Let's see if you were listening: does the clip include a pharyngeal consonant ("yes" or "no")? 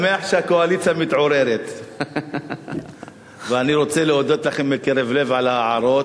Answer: yes